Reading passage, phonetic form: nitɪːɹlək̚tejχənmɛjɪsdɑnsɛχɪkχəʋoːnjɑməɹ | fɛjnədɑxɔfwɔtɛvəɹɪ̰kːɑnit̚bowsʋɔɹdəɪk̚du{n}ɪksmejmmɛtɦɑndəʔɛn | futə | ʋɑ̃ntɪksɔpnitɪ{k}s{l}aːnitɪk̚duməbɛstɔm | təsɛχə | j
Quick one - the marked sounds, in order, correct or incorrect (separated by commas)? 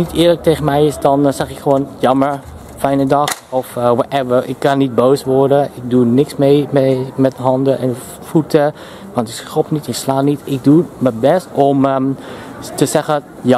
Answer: correct, correct, correct